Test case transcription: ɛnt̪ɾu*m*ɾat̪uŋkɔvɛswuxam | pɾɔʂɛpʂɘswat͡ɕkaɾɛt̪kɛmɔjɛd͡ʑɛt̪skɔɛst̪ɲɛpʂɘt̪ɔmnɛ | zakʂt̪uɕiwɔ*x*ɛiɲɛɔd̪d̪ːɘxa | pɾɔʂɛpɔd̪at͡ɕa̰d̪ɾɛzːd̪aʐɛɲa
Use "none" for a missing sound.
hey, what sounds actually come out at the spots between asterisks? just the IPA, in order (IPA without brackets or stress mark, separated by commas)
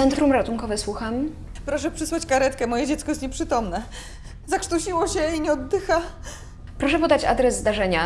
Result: m, ɕ